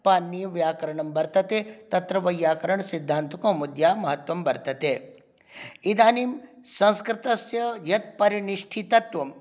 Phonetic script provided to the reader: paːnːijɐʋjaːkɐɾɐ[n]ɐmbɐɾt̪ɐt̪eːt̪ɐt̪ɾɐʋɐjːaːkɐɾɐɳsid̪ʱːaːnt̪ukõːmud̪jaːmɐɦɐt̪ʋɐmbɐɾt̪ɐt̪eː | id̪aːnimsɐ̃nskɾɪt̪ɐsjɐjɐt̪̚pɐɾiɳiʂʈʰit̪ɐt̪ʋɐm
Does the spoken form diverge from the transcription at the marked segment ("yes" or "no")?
yes